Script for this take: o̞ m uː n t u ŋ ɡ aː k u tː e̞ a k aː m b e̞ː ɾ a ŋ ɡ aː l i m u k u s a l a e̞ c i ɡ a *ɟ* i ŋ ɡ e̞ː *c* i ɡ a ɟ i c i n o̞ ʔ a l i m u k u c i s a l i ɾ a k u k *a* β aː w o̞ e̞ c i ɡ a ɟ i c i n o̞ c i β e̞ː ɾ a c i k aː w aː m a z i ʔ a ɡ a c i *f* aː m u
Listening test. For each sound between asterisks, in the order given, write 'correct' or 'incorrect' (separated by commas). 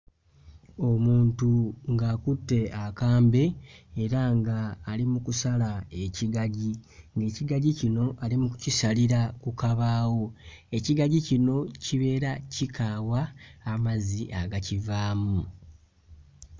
correct, correct, correct, incorrect